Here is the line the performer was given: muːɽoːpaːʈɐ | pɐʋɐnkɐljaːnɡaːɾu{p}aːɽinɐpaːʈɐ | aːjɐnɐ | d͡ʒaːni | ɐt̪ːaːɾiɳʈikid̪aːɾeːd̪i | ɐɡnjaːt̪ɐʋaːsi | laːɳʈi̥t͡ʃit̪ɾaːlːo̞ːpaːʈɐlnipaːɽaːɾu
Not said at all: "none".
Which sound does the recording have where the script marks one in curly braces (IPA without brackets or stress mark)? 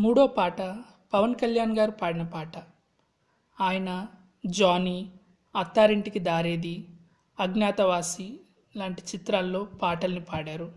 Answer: p